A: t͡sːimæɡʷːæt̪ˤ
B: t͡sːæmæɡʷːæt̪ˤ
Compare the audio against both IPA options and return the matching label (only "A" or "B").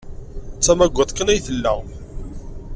B